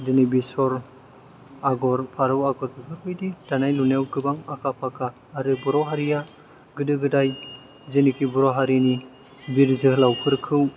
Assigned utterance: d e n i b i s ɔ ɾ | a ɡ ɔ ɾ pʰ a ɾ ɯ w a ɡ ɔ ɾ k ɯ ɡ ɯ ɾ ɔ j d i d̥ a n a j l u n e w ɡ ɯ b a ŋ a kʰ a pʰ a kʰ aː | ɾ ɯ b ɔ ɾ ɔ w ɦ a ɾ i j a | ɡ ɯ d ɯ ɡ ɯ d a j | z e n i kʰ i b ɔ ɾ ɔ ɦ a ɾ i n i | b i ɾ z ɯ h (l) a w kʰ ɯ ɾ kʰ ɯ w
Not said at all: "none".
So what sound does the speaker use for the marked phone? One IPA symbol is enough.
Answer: l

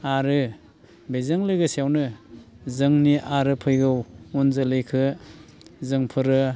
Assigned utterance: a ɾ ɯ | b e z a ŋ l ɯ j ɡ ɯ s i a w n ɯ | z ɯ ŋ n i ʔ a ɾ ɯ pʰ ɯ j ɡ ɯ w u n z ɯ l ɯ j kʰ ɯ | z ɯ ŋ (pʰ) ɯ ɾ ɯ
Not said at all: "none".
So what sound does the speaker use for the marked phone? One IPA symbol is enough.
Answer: pʰ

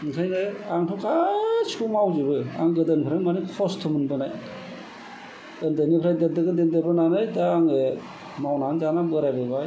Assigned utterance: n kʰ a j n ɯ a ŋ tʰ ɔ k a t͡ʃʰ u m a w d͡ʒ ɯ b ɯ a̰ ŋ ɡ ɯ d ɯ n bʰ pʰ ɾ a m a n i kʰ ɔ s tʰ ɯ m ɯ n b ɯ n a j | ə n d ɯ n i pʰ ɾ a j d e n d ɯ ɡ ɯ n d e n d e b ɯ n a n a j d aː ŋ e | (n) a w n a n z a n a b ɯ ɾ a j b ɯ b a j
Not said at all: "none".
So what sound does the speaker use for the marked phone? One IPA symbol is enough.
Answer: m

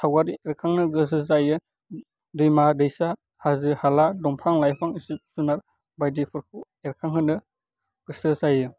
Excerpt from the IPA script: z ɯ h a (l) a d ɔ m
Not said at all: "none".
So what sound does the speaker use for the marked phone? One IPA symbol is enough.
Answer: l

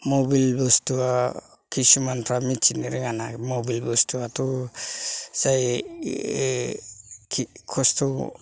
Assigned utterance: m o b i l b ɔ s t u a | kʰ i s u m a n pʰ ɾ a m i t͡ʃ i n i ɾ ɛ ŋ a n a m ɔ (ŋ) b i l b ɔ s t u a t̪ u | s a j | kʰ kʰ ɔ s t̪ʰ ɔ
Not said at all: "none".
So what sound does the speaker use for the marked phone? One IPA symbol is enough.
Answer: none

